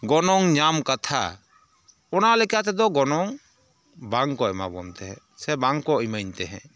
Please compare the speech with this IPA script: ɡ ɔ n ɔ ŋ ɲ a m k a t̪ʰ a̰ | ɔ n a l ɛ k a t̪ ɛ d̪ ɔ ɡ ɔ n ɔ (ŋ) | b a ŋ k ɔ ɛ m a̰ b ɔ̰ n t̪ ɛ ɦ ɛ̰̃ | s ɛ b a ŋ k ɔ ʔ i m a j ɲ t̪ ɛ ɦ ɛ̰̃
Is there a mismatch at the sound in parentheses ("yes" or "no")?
no